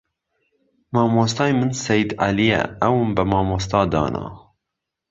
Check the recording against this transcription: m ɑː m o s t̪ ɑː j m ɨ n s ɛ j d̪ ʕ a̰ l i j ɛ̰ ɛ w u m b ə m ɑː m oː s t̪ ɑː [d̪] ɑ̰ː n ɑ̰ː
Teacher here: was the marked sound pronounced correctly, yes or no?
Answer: yes